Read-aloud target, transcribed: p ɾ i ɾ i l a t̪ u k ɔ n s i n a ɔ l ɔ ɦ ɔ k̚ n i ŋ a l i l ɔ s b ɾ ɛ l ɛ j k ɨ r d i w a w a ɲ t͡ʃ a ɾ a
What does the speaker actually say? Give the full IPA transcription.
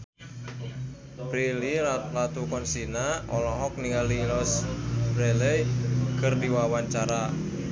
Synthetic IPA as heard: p ɾ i l i l a t̪ u k ɔ n s i n a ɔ l ɔ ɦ ɔ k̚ n i ŋ a l i l ɔ s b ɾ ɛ l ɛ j k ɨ r d i w a w a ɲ t͡ʃ a ɾ a